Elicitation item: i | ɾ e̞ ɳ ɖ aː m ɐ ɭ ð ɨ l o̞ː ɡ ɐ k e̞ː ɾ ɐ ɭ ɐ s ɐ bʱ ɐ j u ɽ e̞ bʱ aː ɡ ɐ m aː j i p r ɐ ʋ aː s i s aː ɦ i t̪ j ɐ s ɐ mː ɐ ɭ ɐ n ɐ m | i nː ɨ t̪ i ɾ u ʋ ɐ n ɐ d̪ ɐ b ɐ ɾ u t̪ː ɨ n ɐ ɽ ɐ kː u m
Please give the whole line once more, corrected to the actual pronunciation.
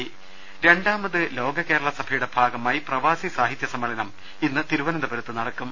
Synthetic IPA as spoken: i | ɾ e̞ ɳ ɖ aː m ɐ ð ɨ l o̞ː ɡ ɐ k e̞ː ɾ ɐ ɭ ɐ s ɐ bʱ ɐ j u ɽ e̞ bʱ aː ɡ ɐ m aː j i p r ɐ ʋ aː s i s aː ɦ i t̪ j ɐ s ɐ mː ɐ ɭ ɐ n ɐ m | i nː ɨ t̪ i ɾ u ʋ ɐ n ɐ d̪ ɐ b ɐ ɾ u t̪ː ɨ n ɐ ɽ ɐ kː u m